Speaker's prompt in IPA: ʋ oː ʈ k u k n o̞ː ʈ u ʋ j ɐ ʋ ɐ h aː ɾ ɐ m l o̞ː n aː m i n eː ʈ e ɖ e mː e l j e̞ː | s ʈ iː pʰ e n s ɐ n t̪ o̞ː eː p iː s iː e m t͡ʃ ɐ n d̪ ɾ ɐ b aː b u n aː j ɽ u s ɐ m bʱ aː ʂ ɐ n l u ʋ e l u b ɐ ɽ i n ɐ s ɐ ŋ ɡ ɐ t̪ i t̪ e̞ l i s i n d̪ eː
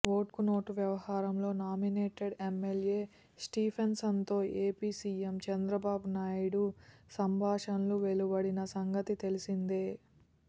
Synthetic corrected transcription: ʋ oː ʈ k u n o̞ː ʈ u ʋ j ɐ ʋ ɐ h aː ɾ ɐ m l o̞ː n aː m i n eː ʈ e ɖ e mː e l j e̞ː | s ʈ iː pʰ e n s ɐ n t̪ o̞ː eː p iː s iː e m t͡ʃ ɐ n d̪ ɾ ɐ b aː b u n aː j ɽ u s ɐ m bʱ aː ʂ ɐ n l u ʋ e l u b ɐ ɽ i n ɐ s ɐ ŋ ɡ ɐ t̪ i t̪ e̞ l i s i n d̪ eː